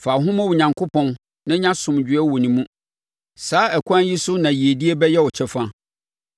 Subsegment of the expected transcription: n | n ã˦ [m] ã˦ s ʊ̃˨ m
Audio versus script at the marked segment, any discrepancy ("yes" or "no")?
yes